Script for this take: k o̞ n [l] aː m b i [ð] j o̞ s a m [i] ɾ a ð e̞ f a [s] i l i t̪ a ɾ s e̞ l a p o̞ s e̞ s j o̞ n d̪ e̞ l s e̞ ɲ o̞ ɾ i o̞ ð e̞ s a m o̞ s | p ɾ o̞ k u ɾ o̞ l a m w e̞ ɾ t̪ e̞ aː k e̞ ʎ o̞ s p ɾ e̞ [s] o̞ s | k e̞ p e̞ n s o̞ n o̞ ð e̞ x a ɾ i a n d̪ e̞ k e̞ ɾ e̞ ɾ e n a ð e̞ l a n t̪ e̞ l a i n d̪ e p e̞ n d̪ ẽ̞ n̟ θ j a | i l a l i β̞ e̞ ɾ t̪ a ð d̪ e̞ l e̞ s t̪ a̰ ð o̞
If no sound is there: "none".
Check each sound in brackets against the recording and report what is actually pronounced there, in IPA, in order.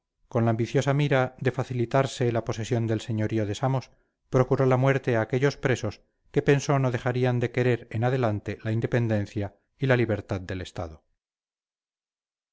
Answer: l, θ, i, θ, s

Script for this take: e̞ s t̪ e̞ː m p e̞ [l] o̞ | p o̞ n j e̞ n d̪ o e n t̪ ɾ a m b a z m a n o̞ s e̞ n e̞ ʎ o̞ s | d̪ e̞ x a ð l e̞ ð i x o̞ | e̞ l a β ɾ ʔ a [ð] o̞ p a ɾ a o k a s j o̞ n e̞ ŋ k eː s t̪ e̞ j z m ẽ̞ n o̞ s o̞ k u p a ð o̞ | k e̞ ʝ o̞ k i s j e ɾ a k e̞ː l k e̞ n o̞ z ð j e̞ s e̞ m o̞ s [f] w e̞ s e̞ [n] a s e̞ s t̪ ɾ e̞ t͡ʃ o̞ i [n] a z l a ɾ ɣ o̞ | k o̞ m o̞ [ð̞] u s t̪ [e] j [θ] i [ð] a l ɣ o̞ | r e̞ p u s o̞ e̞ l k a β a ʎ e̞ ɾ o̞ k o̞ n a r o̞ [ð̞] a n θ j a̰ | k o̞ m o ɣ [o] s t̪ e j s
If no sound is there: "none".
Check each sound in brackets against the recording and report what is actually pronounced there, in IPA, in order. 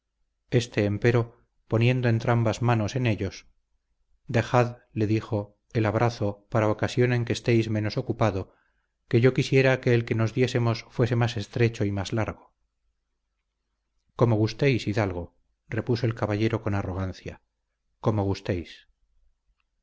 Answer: ɾ, θ, f, m, m, ɣ̞, e, s, ð, ɣ̞, u

